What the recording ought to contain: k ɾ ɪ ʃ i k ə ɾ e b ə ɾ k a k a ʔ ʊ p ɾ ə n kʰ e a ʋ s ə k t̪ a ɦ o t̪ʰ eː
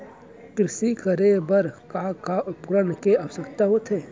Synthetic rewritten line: k ɾ ɪ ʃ i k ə ɾ e b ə ɾ k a k a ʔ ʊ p ɾ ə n k e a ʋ s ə k t̪ a ɦ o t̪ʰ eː